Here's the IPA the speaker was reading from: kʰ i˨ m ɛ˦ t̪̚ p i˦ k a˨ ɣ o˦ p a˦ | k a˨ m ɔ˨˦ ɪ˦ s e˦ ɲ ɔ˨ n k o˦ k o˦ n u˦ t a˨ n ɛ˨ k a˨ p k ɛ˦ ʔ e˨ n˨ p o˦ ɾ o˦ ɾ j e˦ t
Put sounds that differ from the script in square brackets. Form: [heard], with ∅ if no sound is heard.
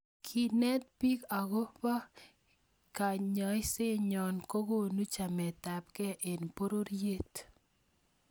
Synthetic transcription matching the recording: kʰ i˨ [n] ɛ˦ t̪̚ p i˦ k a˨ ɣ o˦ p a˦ | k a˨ [ɲ] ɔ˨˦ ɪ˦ s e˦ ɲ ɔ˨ n k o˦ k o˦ n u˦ [t͡ʃ] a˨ [m] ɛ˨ [t] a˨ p k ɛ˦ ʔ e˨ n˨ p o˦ ɾ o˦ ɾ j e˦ t